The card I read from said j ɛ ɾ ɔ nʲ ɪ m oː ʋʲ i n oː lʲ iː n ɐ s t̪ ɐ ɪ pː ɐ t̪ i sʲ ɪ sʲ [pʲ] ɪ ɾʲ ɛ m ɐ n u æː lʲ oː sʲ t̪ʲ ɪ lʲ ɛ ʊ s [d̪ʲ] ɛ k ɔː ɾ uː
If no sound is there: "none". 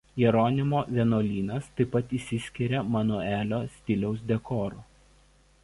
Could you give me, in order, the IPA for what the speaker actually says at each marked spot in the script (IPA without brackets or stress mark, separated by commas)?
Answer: kʲ, d̪ʲ